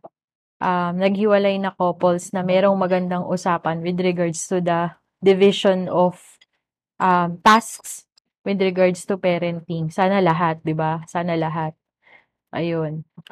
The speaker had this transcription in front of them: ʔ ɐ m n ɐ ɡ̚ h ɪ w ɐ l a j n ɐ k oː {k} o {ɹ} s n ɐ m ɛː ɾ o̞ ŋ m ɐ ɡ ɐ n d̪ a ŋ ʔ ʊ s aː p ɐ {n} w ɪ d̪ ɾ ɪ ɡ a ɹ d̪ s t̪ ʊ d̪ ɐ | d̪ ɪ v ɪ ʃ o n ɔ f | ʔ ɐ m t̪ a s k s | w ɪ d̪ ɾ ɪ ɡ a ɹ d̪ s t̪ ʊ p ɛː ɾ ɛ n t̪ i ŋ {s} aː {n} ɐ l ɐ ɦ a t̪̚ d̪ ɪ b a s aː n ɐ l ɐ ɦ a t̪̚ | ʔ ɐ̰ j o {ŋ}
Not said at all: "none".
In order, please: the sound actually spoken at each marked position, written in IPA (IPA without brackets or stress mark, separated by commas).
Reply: p, l, n, s, n, n